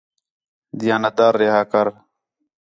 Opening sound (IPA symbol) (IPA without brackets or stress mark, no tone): d̪